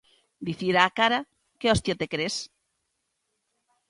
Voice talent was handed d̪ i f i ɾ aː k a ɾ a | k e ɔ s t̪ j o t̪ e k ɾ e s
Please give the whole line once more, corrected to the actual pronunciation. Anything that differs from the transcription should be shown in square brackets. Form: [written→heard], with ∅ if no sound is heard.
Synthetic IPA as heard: d̪ i [f→θ] i ɾ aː k a ɾ a | k e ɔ s t̪ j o t̪ e k ɾ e s

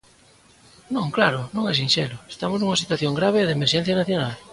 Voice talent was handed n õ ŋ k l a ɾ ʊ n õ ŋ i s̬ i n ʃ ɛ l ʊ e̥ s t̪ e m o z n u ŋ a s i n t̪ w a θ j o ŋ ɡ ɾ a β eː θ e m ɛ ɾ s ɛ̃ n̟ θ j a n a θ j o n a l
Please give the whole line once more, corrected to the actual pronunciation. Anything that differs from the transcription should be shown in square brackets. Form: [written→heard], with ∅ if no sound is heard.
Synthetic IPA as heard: n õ ŋ k l a ɾ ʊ n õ ŋ [i→ɛ] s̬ i n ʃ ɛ l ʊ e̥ s t̪ [e→a] m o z n u ŋ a s i [n→∅] t̪ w a θ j o ŋ ɡ ɾ a β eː [θ→ð] e m [ɛ→e] ɾ [s→ʃ] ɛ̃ n̟ θ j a n a θ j o n a l

